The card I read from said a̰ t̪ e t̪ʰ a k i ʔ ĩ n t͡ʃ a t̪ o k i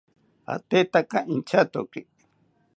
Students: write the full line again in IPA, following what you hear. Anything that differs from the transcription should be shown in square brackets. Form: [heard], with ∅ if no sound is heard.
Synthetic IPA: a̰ t̪ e [t̪] a k [a] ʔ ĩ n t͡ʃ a t̪ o k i